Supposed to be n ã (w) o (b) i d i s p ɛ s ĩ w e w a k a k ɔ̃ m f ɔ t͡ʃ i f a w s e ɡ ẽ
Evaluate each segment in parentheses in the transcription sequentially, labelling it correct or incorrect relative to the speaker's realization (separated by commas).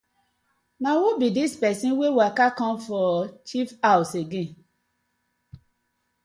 correct, correct